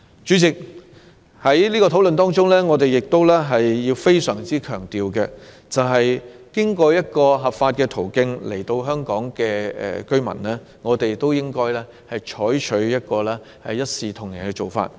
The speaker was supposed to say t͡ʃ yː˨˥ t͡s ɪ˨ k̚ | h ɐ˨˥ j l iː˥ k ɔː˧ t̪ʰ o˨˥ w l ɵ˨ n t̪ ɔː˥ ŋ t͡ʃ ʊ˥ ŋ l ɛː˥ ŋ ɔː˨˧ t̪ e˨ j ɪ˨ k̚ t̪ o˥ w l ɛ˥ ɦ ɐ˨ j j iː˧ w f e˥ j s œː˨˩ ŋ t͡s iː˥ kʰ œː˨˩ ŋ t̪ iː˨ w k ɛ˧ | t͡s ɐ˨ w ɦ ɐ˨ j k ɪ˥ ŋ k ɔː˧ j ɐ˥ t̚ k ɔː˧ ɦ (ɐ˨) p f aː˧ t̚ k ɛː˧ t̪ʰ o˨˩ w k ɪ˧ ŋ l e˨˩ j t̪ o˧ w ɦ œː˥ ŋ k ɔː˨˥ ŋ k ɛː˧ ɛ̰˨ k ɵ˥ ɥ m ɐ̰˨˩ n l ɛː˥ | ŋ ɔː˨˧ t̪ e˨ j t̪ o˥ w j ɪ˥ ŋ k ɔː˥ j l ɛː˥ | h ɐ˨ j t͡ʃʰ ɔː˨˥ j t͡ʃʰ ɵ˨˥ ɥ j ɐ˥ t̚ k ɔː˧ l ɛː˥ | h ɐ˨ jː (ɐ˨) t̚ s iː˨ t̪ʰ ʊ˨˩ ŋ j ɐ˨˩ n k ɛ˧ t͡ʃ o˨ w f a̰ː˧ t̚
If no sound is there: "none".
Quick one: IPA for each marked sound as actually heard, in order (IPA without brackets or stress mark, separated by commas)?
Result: ɐ˨, ɐ˥